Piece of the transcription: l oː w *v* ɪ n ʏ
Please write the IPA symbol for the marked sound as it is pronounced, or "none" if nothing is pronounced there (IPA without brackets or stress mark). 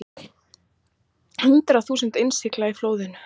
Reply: ð